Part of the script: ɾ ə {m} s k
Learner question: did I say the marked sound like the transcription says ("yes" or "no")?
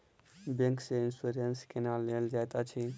no